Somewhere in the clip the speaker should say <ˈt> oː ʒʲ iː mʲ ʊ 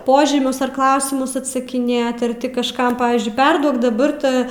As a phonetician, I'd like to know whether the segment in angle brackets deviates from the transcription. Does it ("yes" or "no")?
yes